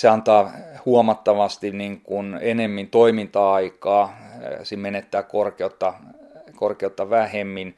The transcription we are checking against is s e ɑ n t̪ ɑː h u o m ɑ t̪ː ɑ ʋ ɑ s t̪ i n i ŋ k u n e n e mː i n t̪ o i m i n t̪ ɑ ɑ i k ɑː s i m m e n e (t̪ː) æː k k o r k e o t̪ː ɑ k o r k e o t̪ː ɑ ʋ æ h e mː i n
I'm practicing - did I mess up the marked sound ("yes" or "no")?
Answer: no